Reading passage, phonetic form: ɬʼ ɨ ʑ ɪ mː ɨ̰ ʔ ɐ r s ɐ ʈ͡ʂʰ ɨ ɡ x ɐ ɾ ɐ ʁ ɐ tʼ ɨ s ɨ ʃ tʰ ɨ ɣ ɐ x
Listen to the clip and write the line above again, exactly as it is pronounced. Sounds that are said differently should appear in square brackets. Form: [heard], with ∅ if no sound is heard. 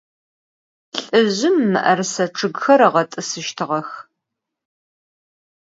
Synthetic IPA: ɬʼ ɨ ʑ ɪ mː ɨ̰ ʔ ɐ r s ɐ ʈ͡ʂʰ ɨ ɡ x ɐ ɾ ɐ ʁ ɐ tʼ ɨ s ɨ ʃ tʰ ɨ [ʁ] ɐ x